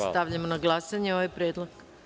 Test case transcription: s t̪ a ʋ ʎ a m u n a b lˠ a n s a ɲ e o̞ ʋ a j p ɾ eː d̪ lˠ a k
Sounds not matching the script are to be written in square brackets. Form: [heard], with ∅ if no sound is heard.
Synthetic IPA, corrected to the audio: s t̪ a ʋ ʎ a m [o] n a [ɡ] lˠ a [∅] s a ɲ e o̞ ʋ a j p ɾ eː d̪ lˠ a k